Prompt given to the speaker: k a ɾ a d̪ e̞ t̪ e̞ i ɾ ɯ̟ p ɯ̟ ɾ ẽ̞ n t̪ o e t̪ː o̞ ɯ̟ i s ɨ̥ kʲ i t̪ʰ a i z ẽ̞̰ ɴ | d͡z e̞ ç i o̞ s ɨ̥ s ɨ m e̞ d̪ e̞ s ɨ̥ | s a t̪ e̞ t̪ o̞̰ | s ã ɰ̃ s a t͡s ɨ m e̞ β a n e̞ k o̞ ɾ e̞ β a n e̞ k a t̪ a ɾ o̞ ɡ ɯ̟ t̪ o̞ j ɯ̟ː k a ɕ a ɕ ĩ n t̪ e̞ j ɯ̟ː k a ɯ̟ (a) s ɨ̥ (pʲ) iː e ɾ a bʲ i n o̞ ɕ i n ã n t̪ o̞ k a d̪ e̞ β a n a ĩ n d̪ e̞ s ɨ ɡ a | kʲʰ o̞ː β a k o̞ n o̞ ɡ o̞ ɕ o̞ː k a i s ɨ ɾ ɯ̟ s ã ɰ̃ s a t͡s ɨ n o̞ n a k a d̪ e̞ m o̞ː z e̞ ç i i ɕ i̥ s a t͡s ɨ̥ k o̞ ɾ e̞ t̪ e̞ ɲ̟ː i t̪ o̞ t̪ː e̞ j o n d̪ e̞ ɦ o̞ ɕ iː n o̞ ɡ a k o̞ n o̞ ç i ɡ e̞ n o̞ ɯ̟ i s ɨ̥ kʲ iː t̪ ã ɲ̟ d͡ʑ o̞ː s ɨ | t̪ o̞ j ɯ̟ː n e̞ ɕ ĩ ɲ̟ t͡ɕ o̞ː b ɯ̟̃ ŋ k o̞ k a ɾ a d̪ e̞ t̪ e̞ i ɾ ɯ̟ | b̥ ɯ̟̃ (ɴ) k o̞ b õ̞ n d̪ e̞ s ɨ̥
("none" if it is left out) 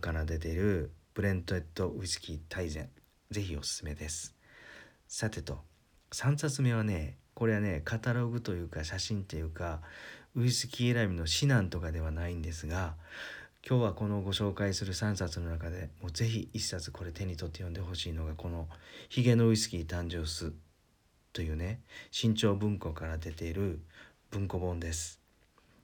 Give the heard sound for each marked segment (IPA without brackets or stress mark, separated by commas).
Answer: i, kʲ, ŋ